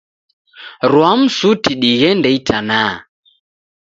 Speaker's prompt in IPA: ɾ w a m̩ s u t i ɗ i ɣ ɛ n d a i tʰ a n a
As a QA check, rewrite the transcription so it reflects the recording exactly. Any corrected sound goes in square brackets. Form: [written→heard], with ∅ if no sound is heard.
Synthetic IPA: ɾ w a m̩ s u t i ɗ i ɣ ɛ n d [a→ɛ] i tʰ a n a

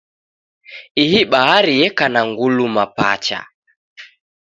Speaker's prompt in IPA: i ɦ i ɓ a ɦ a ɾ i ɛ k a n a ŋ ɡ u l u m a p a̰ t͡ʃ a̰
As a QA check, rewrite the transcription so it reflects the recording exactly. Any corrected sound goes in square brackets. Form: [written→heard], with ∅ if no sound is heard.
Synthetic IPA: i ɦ i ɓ a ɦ a ɾ i ɛ k a n a ŋ ɡ u l u m a p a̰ t͡ʃ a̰

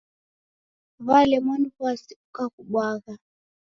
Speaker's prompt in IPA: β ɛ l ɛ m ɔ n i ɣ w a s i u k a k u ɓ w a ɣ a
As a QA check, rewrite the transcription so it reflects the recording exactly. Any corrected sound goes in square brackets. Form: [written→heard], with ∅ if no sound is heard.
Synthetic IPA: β [ɛ→a] l ɛ m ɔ n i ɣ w a s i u k a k u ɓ w a ɣ a

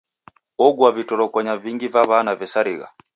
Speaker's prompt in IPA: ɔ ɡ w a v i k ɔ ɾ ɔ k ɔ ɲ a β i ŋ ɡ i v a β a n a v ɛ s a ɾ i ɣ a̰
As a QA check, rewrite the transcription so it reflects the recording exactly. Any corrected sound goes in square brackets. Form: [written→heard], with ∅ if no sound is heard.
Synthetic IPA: ɔ ɡ w a v i [k→t] ɔ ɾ ɔ k ɔ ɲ a [β→v] i ŋ ɡ i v a β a n a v ɛ s a ɾ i ɣ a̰

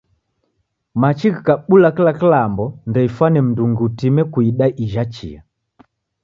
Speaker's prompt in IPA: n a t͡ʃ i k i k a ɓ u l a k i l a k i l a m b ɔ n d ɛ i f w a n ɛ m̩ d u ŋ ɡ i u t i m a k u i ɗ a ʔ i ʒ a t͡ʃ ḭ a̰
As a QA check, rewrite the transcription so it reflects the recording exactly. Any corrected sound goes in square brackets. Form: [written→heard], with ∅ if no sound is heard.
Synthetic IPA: [n→m] a t͡ʃ i k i k a ɓ u l a k i l a k i l a m b ɔ n d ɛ i f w a n ɛ m̩ d u ŋ ɡ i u t i m [a→ɛ] k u i ɗ a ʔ i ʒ a t͡ʃ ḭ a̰

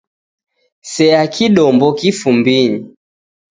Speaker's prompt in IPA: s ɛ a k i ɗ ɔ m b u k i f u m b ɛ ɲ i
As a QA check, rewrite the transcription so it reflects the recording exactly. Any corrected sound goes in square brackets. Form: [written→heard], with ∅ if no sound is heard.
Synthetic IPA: s ɛ a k i ɗ ɔ m b [u→ɔ] k i f u m b [ɛ→i] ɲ i

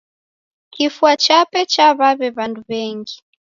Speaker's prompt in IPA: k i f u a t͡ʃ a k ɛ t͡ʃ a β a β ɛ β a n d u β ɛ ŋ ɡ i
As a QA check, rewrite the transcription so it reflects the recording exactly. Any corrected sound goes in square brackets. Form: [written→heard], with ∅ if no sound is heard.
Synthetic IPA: k i f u a t͡ʃ a [k→p] ɛ t͡ʃ a β a β ɛ β a n d u β ɛ ŋ ɡ i

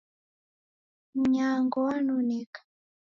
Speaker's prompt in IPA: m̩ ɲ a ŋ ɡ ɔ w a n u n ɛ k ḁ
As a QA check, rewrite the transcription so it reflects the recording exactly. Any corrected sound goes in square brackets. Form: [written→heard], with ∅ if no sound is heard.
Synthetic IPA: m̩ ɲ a ŋ ɡ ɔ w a n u n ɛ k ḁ

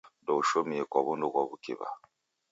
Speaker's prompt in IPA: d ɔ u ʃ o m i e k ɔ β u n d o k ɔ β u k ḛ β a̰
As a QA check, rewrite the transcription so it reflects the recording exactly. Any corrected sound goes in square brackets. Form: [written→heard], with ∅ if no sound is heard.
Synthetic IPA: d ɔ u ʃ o m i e k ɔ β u n d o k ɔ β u k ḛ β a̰

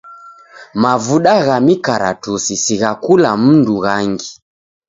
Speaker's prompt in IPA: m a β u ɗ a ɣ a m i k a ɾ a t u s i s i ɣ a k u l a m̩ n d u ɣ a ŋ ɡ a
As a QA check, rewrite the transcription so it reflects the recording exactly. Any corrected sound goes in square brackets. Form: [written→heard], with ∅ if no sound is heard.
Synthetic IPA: m a [β→v] u ɗ a ɣ a m i k a ɾ a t u s i s i ɣ a k u l a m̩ n d u ɣ a ŋ ɡ [a→i]

